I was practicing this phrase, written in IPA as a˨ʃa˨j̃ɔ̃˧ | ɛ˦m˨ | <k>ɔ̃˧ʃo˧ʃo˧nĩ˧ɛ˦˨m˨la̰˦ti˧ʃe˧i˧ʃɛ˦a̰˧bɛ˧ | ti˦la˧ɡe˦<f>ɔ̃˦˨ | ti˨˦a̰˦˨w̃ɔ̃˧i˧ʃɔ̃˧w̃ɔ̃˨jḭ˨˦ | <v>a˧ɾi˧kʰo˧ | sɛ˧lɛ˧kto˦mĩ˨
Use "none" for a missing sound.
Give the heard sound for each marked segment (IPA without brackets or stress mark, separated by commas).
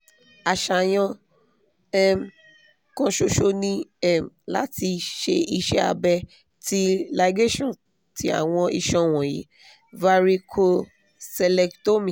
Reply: k, ʃ, v